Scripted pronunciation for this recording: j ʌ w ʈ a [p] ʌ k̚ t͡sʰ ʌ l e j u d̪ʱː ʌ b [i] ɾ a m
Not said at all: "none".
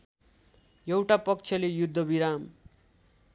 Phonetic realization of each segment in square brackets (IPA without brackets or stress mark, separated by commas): p, i